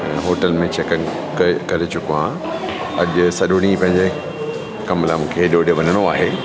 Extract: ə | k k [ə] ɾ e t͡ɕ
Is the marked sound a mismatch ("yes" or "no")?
yes